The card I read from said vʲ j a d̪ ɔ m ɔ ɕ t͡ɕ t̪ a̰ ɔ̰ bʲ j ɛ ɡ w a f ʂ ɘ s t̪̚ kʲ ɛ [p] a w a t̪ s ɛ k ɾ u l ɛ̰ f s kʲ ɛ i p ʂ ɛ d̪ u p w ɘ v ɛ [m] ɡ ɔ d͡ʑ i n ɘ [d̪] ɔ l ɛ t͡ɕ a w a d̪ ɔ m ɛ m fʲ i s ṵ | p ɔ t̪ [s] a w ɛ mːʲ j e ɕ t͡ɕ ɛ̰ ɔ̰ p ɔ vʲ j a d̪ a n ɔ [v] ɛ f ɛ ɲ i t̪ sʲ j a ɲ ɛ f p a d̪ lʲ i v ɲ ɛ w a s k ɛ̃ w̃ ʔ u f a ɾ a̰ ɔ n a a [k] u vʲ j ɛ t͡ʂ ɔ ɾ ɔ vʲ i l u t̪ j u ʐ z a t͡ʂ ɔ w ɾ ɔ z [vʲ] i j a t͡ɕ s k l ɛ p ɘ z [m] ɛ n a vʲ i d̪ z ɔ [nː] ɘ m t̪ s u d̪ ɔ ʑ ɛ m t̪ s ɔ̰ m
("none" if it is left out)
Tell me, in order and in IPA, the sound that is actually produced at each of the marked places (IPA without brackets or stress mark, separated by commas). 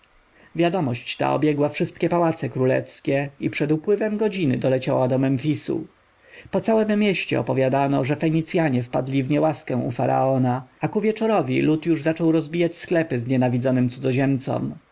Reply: p, m, d̪, s, ʐ, k, bʲ, ɲ, n